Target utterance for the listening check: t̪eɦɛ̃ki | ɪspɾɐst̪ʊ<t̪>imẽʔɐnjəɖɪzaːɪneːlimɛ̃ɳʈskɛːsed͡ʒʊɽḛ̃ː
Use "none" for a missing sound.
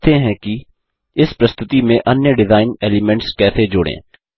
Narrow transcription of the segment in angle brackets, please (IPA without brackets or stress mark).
t̪